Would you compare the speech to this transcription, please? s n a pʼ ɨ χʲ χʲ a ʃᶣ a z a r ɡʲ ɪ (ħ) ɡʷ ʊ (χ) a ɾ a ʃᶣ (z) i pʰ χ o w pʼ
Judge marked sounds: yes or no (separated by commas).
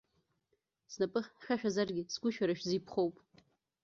no, no, yes